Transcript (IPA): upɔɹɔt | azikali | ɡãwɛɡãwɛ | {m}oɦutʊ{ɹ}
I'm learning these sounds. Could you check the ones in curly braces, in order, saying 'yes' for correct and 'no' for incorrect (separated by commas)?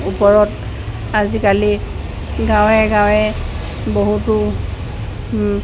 no, no